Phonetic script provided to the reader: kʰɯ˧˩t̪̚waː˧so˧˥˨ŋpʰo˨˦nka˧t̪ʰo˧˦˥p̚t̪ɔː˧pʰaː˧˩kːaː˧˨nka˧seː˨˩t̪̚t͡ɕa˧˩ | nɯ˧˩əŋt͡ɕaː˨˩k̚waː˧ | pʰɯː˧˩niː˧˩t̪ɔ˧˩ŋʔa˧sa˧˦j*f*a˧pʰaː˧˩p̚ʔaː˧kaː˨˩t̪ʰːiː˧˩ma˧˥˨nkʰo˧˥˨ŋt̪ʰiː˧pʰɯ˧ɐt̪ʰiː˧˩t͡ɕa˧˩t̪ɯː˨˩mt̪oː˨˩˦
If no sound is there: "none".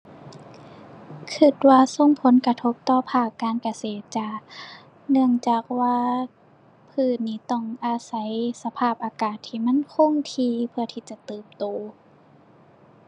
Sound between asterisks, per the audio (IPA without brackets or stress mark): s